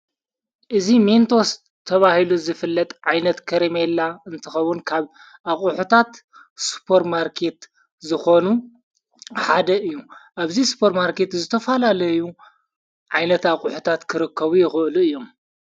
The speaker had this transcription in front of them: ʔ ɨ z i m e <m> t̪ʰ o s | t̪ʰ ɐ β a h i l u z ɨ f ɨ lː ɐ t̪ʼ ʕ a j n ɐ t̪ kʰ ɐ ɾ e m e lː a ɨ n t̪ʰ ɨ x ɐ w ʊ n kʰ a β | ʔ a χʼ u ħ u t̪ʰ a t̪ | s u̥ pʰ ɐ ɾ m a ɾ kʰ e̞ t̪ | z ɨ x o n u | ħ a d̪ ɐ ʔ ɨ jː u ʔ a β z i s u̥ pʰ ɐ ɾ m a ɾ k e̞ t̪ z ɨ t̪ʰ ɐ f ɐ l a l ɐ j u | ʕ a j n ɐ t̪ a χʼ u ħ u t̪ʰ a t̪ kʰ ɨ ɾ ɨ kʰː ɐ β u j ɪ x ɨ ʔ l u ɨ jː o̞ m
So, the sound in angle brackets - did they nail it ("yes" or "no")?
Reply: no